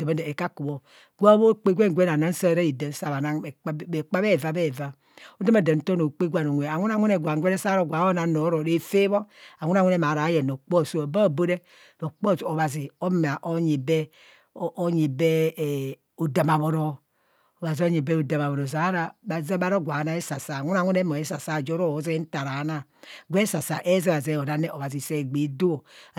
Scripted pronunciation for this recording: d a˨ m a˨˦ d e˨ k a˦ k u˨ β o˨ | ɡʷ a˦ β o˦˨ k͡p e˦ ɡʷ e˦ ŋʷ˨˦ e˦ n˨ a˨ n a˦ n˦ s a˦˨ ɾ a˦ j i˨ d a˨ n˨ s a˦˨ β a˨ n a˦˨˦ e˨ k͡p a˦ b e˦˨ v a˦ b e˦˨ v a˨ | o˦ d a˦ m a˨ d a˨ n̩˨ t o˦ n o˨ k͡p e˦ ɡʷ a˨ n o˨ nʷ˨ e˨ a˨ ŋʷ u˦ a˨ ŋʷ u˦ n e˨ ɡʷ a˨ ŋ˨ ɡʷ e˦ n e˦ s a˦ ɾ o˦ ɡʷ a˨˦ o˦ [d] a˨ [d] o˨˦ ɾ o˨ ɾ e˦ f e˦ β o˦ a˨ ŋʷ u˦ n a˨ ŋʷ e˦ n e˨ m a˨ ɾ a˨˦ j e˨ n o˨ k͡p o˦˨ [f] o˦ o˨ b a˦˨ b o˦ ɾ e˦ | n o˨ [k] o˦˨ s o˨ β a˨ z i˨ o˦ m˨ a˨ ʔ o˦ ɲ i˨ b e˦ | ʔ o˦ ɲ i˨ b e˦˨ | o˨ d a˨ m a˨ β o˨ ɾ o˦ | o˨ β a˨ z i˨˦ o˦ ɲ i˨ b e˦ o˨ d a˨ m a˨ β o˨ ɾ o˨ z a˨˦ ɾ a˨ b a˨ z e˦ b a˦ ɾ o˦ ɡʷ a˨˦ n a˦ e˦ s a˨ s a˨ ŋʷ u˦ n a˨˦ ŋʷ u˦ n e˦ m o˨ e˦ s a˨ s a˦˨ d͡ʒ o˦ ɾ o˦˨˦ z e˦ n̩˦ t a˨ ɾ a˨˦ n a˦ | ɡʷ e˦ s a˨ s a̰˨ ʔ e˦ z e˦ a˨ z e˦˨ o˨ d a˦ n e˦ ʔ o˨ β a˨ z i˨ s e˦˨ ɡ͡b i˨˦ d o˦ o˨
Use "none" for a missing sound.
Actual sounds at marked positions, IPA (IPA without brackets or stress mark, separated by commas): n, n, s, k͡p